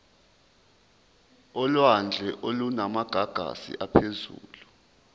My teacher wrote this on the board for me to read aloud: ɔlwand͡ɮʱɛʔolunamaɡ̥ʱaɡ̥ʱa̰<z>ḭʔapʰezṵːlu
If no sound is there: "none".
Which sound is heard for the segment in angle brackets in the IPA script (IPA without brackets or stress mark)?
s